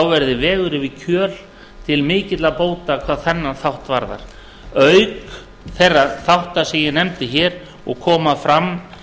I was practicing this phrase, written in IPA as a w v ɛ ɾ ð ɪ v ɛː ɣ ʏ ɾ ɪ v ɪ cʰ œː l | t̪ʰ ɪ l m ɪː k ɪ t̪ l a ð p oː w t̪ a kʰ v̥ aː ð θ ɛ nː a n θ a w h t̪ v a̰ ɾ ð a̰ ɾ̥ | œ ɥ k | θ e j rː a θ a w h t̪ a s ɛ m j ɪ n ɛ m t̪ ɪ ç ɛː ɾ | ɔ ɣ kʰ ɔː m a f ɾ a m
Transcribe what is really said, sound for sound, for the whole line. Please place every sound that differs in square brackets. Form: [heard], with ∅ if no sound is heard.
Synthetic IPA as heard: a w v ɛ ɾ ð ɪ v ɛː ɣ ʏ ɾ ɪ v ɪ cʰ œː l | t̪ʰ ɪ l m ɪː [c] ɪ t̪ l a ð p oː w t̪ a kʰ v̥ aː ð θ ɛ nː a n θ a w h t̪ v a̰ ɾ ð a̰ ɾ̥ | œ ɥ k | θ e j rː a θ a w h t̪ a s ɛ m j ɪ n ɛ m t̪ ɪ ç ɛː ɾ | ɔ ɣ kʰ ɔː m a f ɾ a m